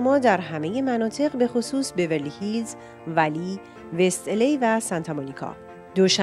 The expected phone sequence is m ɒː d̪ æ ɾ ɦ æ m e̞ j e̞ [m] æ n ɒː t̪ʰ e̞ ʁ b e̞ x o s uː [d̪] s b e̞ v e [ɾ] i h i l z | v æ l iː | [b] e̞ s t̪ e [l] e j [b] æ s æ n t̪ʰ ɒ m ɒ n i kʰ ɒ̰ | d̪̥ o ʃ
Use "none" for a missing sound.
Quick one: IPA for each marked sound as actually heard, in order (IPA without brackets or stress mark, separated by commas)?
m, none, l, v, l, v